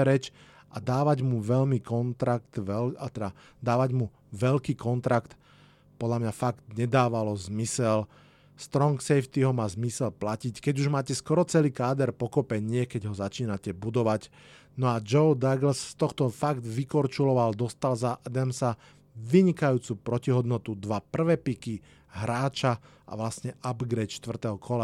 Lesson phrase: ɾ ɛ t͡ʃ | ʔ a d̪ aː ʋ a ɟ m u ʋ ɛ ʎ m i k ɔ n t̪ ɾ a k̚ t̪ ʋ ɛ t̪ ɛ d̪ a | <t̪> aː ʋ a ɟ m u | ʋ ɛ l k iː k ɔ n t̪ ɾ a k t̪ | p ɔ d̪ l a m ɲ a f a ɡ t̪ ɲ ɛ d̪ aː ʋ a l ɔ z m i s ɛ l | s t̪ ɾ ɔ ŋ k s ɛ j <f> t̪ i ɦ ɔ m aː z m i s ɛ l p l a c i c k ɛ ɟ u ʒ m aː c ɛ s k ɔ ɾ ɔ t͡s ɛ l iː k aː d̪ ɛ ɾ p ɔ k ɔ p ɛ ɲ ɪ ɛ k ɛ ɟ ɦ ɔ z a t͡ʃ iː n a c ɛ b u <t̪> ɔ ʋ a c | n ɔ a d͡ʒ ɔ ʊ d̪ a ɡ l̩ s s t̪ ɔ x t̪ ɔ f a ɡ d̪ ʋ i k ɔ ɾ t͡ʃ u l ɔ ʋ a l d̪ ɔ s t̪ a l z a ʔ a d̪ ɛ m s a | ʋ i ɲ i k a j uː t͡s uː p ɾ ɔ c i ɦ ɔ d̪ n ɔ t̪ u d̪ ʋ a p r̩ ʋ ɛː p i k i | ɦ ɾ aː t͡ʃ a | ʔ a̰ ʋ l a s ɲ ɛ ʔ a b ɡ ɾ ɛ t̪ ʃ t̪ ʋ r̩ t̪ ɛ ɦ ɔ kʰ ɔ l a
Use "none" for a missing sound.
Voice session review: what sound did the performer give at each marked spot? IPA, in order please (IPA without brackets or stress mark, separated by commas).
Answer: d̪, f, d̪